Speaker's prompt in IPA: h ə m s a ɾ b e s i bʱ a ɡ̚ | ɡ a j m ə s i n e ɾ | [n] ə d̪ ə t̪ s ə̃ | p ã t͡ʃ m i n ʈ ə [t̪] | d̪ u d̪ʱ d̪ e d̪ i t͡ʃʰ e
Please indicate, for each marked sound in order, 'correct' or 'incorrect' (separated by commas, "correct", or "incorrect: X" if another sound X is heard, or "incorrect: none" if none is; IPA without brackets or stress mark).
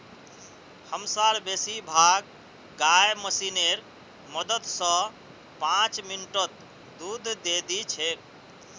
incorrect: m, correct